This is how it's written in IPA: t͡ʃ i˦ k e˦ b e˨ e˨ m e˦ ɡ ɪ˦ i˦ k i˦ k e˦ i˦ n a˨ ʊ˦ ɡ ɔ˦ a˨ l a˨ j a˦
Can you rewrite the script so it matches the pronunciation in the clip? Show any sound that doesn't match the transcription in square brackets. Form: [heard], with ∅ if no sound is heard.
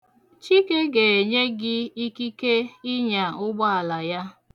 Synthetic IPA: t͡ʃ i˦ k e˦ [ɡ] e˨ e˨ [ɲ] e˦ ɡ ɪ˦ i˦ k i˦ k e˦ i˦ [ɲ] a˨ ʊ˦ [ɡ͡b] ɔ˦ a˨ l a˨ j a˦